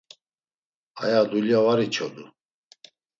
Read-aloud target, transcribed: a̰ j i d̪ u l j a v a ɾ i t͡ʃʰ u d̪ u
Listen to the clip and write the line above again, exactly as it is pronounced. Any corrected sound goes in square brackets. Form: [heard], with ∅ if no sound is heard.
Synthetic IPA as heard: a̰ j [a] d̪ u l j a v a ɾ i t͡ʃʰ [ɔ] d̪ u